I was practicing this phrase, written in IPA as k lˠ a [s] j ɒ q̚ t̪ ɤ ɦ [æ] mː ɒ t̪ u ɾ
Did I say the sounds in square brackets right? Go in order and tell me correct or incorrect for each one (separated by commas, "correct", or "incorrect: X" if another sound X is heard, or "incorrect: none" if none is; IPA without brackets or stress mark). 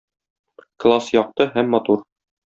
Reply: correct, correct